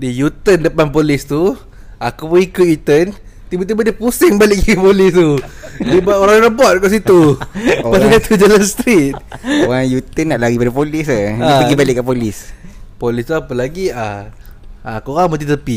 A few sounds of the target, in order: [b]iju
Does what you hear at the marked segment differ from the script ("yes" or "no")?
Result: yes